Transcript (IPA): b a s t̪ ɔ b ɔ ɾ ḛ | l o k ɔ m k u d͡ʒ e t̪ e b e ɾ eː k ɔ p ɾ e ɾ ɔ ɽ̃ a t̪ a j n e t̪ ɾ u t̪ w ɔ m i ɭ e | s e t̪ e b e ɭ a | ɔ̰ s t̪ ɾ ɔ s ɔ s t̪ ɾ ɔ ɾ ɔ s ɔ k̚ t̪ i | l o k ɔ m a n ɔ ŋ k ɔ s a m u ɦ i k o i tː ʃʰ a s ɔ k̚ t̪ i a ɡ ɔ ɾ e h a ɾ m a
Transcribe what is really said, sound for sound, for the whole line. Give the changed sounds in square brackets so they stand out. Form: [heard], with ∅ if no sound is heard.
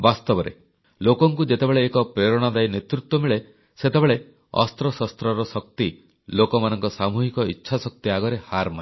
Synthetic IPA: b a s t̪ ɔ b ɔ ɾ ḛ | l o k ɔ [ŋ] k u d͡ʒ e t̪ e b e [ɭ] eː k ɔ p ɾ e ɾ ɔ ɽ̃ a [d̪] a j n e t̪ ɾ u t̪ w ɔ m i ɭ e | s e t̪ e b e ɭ [e] | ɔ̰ s t̪ ɾ ɔ s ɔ s t̪ ɾ ɔ ɾ ɔ s ɔ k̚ t̪ i | l o k ɔ m a n ɔ ŋ k ɔ s a m u ɦ i k [ɔ] i tː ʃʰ a s ɔ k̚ t̪ i a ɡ ɔ ɾ e h a ɾ m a